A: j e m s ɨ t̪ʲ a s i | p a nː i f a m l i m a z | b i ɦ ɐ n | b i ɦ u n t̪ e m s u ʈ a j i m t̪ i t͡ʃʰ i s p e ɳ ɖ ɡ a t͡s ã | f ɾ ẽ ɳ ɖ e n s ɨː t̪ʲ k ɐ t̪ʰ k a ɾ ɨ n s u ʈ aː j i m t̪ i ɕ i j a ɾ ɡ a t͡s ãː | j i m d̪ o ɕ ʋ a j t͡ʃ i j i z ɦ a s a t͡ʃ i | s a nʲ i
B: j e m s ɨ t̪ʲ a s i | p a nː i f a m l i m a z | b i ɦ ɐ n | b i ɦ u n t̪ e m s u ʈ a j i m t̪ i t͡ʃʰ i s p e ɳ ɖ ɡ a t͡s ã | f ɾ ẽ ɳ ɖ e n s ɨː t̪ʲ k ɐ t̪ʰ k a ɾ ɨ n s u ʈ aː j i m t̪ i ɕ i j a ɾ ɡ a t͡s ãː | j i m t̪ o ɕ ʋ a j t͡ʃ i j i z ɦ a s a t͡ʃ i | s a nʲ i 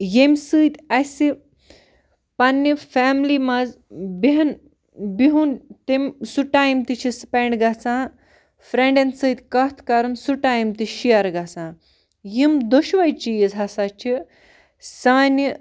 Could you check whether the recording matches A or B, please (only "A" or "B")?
A